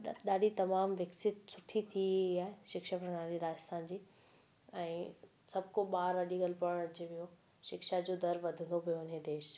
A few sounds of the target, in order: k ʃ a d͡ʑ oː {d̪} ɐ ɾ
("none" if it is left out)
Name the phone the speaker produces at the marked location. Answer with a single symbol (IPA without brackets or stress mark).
d̪